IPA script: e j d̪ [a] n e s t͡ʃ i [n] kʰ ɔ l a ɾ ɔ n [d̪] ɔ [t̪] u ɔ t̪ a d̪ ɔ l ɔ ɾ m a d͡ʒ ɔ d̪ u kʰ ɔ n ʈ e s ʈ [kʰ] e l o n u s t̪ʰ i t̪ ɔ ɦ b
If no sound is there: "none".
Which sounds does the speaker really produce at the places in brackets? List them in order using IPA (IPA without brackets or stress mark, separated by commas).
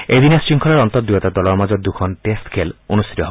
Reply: i, ŋ, t̪, d̪, kʰ